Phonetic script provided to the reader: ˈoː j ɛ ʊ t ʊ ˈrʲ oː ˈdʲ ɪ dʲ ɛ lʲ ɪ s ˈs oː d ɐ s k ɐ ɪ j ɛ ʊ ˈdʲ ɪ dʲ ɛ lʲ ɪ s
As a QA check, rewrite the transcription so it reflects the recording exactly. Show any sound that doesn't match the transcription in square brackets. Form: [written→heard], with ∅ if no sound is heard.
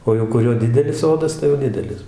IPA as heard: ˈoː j ɛ ʊ [t→k] ʊ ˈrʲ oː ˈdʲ ɪ dʲ ɛ lʲ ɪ s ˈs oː d ɐ s [k→t] ɐ ɪ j ɛ ʊ ˈdʲ ɪ dʲ ɛ lʲ ɪ s